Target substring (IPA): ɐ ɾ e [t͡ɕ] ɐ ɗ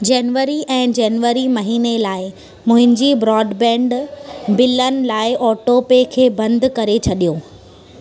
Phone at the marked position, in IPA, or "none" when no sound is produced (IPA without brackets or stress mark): t͡ɕʰ